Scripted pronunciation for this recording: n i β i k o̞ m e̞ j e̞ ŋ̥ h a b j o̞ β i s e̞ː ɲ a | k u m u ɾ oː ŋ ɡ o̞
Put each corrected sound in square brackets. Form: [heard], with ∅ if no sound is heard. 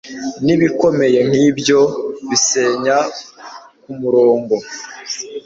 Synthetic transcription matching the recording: n i β i k o̞ m e̞ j e̞ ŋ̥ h [i] b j o̞ β i s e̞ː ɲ a | k u m u ɾ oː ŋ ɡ o̞